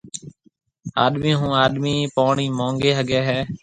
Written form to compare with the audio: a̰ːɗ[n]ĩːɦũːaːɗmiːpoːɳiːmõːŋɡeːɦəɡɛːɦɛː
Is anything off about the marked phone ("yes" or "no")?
yes